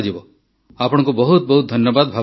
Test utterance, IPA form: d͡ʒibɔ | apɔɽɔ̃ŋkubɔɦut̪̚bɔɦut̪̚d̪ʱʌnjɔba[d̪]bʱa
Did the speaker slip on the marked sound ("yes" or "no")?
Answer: no